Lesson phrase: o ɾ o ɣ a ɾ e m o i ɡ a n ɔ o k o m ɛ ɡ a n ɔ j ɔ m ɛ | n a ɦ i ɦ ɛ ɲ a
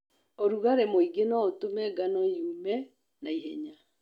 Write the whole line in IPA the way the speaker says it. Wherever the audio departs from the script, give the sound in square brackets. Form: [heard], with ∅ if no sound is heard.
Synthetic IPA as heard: o ɾ [u] ɣ a ɾ e m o i ɡ [e] n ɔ o [t] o m ɛ ɡ a n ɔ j [u] m ɛ | n a [∅] i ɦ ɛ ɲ a